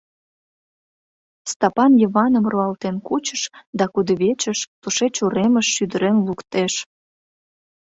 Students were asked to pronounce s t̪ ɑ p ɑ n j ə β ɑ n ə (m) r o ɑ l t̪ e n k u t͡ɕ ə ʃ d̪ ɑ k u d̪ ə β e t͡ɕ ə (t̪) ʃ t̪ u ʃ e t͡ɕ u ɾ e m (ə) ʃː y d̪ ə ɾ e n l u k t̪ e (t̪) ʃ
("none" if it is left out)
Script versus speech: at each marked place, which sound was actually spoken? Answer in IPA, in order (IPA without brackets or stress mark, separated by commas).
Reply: m, none, ə, none